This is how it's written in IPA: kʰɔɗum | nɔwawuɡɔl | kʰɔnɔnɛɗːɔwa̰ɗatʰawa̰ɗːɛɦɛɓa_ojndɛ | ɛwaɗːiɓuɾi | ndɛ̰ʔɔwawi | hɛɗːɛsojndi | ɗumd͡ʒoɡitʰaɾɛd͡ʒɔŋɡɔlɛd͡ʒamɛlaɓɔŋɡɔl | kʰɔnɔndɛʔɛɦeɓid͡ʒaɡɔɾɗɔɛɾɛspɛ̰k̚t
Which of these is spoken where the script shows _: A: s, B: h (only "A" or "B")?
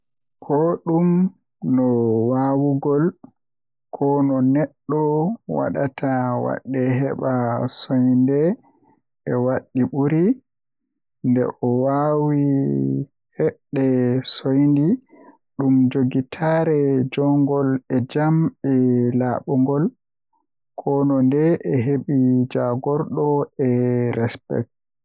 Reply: A